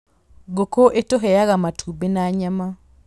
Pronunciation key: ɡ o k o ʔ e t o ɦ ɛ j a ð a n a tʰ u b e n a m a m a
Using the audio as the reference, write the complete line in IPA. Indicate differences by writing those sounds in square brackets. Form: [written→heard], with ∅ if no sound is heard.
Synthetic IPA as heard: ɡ o k o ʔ e t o ɦ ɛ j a [ð→ɣ] a [n→m] a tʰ u b e n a [m→ɲ] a m a